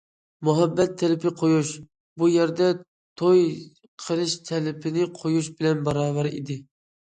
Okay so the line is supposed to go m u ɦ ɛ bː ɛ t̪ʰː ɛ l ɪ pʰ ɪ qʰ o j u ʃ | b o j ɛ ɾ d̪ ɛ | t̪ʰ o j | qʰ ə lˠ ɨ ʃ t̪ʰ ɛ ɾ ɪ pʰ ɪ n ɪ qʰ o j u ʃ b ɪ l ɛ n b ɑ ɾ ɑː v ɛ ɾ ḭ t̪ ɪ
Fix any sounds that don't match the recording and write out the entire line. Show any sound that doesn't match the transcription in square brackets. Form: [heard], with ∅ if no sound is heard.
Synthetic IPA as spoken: m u ɦ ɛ bː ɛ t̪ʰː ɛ l ɪ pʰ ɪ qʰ o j u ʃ | b [u] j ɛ ɾ d̪ ɛ | t̪ʰ o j | qʰ ə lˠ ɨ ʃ t̪ʰ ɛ [l] ɪ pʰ ɪ n ɪ qʰ o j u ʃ b ɪ l ɛ n b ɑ ɾ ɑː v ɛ ɾ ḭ [d̪] ɪ